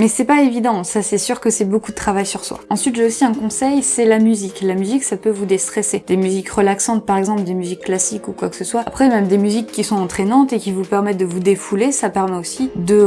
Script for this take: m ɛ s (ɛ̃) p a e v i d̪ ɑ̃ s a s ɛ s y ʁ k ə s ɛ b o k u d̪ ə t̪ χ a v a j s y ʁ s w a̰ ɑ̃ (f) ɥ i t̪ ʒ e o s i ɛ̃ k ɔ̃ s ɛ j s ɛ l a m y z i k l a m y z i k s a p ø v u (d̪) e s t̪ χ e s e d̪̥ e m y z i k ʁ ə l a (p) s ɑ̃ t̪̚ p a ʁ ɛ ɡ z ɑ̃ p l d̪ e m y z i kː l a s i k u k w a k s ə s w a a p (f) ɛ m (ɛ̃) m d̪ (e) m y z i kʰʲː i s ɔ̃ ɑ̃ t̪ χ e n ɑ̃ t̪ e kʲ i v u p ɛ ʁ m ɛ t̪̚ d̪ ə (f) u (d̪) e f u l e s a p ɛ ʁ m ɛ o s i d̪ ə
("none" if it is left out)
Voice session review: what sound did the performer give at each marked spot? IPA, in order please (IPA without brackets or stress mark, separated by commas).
ɛ, s, d̪, k, χ, ɛ, e, v, d̪